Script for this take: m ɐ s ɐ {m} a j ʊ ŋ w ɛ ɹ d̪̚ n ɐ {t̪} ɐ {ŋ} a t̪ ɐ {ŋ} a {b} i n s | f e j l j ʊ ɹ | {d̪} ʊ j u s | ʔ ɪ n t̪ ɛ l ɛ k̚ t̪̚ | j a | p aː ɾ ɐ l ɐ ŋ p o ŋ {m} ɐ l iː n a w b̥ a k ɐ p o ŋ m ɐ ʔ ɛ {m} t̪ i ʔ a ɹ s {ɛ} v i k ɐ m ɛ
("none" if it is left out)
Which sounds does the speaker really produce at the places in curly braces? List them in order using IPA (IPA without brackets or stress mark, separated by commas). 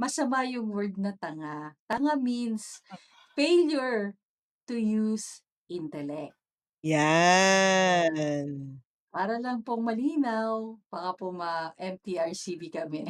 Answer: m, t̪, ŋ, ŋ, m, t̪, m, m, i